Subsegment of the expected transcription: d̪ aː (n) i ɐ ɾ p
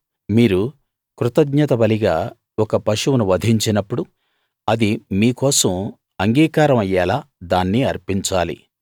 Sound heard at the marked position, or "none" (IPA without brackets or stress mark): nː